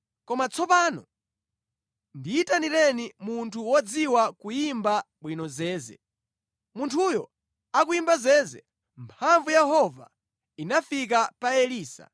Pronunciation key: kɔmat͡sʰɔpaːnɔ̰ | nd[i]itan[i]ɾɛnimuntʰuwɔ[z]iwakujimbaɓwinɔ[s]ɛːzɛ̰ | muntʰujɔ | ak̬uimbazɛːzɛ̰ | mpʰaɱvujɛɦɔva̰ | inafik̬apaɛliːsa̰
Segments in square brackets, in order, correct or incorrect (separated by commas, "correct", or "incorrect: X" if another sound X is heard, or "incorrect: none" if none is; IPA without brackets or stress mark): correct, correct, incorrect: d͡z, incorrect: z